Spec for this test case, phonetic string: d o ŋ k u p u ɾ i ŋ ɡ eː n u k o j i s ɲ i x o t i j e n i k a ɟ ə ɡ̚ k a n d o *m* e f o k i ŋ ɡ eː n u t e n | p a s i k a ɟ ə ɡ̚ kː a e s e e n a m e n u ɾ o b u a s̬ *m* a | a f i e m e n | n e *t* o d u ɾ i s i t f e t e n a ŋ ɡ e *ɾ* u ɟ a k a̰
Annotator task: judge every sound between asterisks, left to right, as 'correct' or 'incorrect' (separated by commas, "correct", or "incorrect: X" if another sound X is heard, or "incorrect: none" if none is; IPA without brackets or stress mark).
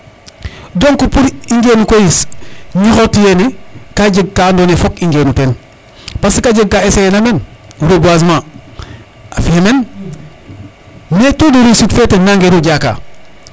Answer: incorrect: n, correct, correct, correct